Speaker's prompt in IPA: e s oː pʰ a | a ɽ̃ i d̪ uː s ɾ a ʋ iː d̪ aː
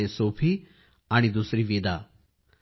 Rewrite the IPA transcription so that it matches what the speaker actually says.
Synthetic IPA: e s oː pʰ i | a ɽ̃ i d̪ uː s ɾ i ʋ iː d̪ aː